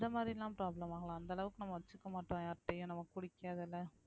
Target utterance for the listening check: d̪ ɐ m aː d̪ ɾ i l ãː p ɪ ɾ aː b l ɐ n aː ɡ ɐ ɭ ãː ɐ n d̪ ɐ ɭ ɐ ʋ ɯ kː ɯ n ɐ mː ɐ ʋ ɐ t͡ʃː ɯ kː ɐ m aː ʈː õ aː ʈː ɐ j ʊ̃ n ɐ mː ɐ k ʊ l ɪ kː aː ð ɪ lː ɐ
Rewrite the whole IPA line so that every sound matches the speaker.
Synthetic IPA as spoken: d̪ ɐ m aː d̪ ɾ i l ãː p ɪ ɾ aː b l ɐ m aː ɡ ɐ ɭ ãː ɐ n d̪ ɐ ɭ ɐ ʋ ɯ kː ɯ n ɐ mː ɐ ʋ ɐ t͡ʃː ɯ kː ɐ m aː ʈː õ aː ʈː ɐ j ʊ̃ n ɐ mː ɐ k ʊ ɽ ɪ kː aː ð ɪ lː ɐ